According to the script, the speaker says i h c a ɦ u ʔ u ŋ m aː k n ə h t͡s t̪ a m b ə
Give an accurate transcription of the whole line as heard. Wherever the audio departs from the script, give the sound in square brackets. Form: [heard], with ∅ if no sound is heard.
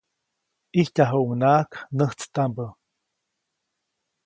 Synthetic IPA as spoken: i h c a ɦ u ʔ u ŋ [n] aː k n ə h t͡s t̪ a m b ə